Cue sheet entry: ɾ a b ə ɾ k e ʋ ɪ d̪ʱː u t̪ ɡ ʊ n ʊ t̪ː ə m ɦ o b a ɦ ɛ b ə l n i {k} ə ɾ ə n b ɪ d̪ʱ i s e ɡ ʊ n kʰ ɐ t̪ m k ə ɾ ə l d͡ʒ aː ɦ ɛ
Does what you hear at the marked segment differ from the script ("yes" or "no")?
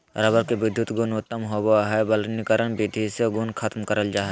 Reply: no